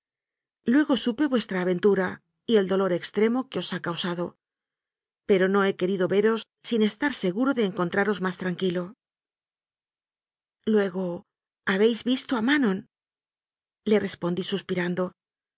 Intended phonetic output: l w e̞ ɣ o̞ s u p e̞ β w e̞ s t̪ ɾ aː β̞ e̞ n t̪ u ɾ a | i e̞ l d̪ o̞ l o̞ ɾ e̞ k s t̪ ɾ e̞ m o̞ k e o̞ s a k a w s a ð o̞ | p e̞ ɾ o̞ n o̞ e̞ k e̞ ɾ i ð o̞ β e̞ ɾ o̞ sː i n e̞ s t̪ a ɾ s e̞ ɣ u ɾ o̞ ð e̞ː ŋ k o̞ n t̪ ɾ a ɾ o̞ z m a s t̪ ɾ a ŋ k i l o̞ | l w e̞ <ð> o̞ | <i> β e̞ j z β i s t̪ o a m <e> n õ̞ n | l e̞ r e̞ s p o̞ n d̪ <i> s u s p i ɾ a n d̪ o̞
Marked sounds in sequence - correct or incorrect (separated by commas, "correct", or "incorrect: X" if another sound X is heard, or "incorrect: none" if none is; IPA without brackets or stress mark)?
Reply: incorrect: ɣ, incorrect: a, incorrect: a, correct